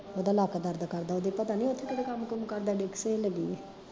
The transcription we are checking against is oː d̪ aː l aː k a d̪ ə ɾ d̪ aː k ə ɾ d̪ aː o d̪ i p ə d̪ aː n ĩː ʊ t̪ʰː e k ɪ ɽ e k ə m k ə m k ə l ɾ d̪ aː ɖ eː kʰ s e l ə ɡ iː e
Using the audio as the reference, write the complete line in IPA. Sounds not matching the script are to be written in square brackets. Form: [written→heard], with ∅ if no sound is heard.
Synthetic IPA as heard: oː d̪ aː l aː k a d̪ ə ɾ d̪ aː k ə ɾ d̪ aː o d̪ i p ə [d̪→t̪] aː n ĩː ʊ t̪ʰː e k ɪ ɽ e k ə m k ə m k ə [l→∅] ɾ d̪ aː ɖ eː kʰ s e l ə ɡ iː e